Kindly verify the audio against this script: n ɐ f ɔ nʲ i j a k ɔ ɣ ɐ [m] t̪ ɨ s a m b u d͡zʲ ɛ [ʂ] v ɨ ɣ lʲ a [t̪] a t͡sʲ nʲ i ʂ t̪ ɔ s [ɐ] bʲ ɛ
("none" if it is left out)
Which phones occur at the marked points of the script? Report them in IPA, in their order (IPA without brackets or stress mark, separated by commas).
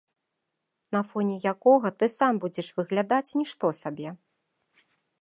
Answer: none, ʂ, d̪, a